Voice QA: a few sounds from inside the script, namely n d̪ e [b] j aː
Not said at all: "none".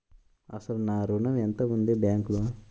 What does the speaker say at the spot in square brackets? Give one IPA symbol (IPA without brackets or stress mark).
b